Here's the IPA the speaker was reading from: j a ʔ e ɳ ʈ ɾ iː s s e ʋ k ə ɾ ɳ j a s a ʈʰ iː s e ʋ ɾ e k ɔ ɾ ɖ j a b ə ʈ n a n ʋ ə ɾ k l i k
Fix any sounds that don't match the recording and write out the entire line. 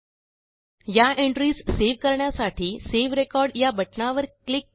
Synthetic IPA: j a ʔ e ɳ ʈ ɾ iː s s e ʋ k ə ɾ ɳ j a s a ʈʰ iː s e ʋ ɾ e k ɔ ɾ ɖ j a b ə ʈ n a ʋ ə ɾ k l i k